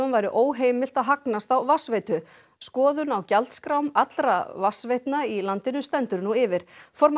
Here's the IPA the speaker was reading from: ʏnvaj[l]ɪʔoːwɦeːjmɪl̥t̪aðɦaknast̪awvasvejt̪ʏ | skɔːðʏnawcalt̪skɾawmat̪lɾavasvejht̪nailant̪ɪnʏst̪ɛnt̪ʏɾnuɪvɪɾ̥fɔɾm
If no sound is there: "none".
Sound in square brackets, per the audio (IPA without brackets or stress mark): ɾ